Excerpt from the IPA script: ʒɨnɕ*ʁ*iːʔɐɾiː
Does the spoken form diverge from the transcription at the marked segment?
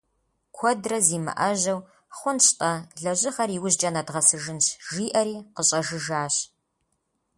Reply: yes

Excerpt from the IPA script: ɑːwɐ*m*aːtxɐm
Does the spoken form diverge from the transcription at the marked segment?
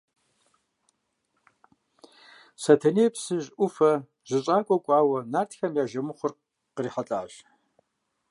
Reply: yes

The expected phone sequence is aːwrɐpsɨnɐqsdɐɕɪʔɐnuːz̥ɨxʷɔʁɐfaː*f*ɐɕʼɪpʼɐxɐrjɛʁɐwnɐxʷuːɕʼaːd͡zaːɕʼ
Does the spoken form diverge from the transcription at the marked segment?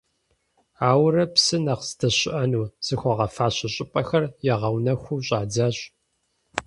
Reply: yes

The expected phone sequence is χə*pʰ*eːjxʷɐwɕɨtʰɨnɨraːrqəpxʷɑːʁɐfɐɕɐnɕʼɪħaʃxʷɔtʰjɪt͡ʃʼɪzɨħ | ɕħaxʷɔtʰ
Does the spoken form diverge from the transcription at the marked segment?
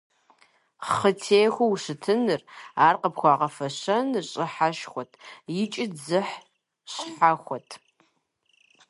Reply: yes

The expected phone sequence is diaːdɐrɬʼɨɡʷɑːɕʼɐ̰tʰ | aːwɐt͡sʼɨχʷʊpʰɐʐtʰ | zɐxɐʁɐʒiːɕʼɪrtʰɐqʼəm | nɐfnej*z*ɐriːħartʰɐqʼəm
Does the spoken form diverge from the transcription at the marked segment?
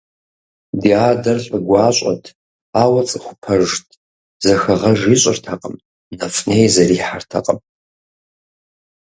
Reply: no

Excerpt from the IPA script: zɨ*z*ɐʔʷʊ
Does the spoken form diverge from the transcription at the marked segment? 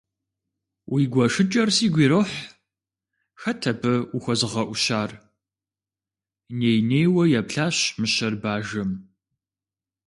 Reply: yes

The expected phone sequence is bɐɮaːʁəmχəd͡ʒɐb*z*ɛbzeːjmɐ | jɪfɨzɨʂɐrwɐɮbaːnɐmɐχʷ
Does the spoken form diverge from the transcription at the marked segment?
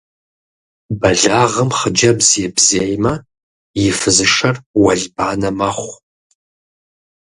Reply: no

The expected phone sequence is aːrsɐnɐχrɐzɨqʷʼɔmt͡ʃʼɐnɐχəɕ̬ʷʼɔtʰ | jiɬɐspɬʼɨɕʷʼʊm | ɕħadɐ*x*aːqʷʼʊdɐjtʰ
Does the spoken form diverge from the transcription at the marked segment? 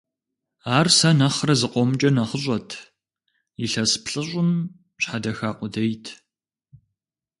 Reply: no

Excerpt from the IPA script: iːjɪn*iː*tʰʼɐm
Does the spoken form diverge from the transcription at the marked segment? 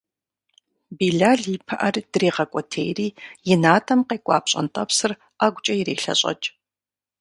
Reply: yes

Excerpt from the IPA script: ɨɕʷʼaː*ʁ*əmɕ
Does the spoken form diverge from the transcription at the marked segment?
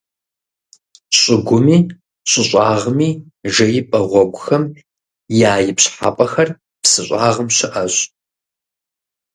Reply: no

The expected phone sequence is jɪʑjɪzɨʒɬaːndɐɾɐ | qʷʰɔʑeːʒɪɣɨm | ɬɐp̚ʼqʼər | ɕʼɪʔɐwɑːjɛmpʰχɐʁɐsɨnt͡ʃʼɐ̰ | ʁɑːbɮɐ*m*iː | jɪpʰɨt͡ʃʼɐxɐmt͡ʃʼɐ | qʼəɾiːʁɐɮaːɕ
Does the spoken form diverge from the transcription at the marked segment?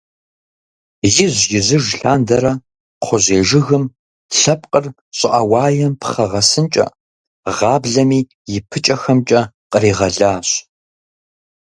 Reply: no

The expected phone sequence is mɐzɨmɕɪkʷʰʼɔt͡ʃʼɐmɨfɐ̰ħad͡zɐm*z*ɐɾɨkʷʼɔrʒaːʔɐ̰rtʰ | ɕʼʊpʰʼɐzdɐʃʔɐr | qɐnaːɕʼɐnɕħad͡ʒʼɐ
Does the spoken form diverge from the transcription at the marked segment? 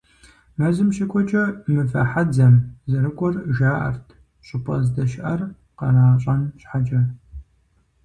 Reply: no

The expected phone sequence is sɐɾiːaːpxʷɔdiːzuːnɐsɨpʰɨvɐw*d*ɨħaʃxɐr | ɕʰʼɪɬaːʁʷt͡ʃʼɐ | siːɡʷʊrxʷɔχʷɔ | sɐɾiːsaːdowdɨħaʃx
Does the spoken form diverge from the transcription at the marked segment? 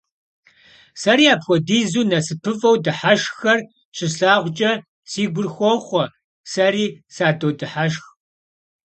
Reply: no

